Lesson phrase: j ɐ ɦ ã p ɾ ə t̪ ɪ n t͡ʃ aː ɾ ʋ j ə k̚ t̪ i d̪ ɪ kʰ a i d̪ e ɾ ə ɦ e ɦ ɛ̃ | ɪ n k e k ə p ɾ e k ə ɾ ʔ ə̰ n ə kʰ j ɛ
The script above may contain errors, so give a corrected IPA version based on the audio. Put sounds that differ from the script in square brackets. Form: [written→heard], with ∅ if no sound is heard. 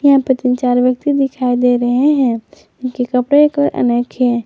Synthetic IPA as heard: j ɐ ɦ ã p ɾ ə t̪ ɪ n t͡ʃ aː ɾ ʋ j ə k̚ t̪ i d̪ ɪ kʰ a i d̪ e ɾ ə ɦ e ɦ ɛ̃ | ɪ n k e k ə p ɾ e k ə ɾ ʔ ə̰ n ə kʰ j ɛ